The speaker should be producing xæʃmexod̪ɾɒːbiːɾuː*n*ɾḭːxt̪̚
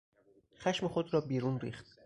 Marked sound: correct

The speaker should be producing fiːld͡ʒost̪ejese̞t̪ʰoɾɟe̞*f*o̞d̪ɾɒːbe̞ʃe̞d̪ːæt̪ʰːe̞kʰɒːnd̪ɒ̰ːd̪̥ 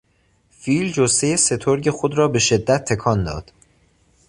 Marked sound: incorrect: x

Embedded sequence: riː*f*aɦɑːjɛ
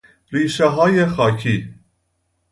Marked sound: incorrect: ʃ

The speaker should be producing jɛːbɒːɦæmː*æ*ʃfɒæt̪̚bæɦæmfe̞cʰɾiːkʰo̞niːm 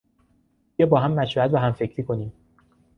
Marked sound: correct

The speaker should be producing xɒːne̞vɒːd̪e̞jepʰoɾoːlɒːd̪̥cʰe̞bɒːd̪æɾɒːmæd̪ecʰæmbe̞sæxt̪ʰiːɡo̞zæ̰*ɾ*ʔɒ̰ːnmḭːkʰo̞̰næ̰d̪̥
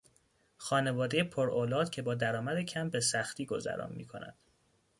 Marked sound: correct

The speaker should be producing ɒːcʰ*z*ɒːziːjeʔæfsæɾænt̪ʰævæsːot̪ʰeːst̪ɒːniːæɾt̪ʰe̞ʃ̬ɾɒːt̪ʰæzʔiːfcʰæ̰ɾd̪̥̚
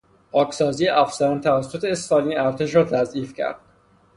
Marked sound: incorrect: s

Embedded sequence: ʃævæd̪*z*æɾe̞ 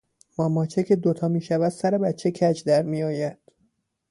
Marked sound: incorrect: s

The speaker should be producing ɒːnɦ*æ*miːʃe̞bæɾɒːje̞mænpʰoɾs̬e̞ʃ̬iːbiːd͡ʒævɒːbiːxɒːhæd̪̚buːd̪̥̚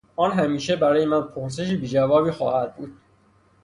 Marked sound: correct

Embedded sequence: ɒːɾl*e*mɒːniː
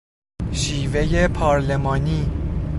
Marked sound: correct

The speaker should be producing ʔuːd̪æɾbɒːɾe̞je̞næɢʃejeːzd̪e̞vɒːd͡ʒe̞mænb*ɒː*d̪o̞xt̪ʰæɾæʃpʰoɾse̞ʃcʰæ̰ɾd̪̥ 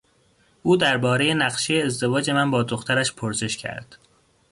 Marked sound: correct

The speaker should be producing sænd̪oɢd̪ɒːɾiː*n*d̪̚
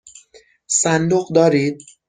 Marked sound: incorrect: none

